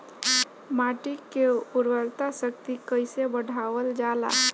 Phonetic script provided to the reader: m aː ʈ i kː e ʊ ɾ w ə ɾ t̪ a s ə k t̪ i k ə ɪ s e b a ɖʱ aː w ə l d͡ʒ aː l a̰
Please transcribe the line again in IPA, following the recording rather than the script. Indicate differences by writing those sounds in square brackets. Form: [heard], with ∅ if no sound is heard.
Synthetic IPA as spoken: m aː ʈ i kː e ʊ ɾ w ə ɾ t̪ a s ə k t̪ i k ə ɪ s e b [ə] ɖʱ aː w ə l d͡ʒ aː l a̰